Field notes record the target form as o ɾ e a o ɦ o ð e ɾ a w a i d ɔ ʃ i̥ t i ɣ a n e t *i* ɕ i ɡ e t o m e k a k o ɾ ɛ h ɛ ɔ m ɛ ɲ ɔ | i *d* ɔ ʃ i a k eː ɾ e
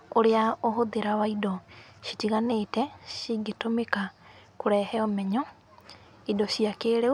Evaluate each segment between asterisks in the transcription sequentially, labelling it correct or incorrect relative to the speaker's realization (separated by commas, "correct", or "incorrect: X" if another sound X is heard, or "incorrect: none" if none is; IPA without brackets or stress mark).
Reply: incorrect: ɛ, correct